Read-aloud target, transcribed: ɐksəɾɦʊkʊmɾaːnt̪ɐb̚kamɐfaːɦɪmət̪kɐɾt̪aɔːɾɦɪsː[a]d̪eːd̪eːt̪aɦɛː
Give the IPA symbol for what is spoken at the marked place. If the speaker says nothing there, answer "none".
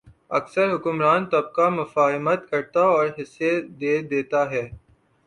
e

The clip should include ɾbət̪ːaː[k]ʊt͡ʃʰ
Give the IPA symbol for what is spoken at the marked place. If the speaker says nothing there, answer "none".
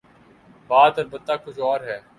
k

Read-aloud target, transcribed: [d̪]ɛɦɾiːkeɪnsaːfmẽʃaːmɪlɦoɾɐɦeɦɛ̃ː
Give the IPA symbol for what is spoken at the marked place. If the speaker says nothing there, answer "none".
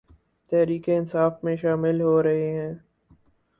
t̪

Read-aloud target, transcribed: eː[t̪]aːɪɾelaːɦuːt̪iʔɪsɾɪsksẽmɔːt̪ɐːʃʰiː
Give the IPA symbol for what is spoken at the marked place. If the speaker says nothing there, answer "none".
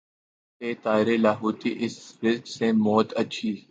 t̪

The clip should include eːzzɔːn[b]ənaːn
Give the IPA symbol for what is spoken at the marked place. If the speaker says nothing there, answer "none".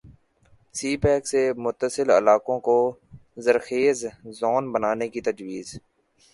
b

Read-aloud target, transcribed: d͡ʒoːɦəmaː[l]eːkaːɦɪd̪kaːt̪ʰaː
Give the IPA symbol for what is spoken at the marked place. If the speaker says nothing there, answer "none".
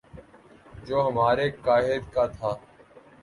ɾ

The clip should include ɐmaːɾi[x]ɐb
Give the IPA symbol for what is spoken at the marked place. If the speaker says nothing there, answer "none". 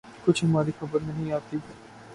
x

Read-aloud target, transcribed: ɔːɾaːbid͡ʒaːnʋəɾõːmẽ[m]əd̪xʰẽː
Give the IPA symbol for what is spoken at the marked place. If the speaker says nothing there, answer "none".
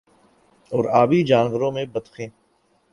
b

